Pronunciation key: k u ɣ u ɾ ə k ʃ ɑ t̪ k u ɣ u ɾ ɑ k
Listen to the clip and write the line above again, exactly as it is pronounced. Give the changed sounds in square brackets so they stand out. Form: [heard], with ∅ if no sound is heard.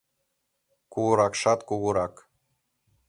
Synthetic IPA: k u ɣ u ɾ [ɑ] k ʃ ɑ t̪ k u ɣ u ɾ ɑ k

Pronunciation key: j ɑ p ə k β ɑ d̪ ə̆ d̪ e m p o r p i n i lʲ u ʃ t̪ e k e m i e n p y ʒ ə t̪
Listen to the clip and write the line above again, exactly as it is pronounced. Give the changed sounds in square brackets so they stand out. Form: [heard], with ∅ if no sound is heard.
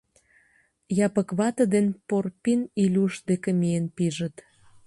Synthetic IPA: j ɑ p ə k β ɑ [t̪] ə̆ d̪ e [n] p o r p i n i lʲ u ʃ [d̪] e k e m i e n p [i] ʒ ə t̪

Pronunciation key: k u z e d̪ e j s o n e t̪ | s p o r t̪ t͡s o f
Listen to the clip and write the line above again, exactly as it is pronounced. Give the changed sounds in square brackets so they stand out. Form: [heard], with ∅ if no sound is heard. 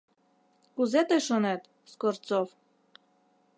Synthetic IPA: k u z e [t̪] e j [ʃ] o n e t̪ | s [k] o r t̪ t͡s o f

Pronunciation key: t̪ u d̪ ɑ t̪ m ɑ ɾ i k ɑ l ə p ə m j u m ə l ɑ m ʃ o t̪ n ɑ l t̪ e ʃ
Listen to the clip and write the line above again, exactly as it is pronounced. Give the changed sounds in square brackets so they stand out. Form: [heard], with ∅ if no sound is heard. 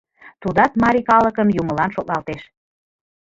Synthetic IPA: t̪ u d̪ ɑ t̪ m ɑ ɾ i k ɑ l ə [k] ə m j u m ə l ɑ [n] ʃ o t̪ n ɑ l t̪ e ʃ

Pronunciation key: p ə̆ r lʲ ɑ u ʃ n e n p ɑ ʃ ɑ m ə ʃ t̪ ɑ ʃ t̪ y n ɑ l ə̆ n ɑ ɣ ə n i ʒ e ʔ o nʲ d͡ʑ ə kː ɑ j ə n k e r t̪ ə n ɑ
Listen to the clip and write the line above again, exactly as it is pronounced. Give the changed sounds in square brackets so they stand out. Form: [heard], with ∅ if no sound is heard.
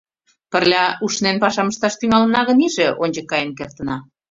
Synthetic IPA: p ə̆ r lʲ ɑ u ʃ n e n p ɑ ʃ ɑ m ə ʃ t̪ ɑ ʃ t̪ y [ŋ] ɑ l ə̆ n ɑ ɣ ə n i ʒ e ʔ o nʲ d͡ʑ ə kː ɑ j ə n k e r t̪ ə n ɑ

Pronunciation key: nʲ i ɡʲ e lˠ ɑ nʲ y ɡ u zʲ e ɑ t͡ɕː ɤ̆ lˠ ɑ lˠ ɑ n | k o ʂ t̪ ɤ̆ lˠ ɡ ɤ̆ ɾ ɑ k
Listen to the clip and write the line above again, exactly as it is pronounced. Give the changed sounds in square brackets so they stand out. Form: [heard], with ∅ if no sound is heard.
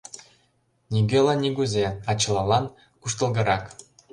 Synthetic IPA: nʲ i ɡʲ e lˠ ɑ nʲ [i] ɡ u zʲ e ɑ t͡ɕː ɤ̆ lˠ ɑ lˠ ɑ n | k [u] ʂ t̪ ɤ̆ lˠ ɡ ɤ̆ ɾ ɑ k

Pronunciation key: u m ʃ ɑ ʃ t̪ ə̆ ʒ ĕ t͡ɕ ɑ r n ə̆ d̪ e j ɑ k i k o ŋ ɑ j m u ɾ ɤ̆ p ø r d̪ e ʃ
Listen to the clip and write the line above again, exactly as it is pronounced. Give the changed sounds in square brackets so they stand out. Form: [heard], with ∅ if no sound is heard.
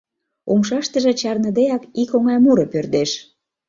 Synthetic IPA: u m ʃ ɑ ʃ t̪ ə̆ ʒ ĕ t͡ɕ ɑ r n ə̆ d̪ e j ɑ k i k o ŋ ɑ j m u ɾ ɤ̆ p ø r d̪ e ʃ

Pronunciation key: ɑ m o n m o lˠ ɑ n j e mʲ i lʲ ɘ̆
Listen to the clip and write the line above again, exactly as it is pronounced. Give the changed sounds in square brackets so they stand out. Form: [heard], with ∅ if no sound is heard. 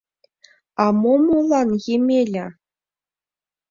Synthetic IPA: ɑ m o [∅] m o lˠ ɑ n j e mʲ [e] lʲ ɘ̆

